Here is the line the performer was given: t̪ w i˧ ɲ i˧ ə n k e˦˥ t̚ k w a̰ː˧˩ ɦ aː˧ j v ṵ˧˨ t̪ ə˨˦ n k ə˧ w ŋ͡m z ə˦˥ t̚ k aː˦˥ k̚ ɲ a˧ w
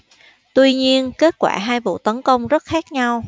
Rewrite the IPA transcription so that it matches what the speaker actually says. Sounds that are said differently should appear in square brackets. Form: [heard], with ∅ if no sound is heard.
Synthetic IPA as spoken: t̪ w i˧ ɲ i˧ ə n k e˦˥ t̚ k w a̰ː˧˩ ɦ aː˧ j v ṵ˧˨ t̪ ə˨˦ n k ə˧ w ŋ͡m z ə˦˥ t̚ [x] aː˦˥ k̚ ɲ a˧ w